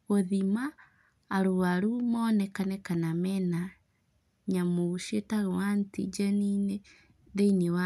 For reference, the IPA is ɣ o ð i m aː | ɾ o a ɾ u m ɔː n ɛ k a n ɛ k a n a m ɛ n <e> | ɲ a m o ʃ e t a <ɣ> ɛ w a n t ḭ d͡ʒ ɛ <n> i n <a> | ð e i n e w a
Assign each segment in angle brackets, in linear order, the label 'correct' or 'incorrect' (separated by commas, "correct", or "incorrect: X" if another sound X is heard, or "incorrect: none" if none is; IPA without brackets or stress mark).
incorrect: a, correct, correct, incorrect: e